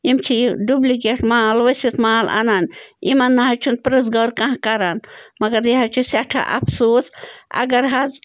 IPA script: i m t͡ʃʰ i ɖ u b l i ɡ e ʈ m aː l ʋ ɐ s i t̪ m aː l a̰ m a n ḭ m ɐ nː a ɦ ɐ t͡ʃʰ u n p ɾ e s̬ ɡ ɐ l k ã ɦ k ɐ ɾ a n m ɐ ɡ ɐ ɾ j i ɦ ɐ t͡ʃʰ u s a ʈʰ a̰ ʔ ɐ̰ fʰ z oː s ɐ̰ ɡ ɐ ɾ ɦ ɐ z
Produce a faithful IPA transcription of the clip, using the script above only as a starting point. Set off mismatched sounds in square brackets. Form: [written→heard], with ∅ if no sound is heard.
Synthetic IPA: i m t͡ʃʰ i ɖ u b l i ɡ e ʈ m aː l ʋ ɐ s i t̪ m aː l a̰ [m→n] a n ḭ m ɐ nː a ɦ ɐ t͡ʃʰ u n p ɾ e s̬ ɡ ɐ [l→ɾ] k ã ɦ k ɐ ɾ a n m ɐ ɡ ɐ ɾ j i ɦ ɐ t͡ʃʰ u s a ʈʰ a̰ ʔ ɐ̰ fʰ [z→s] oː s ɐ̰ ɡ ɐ ɾ ɦ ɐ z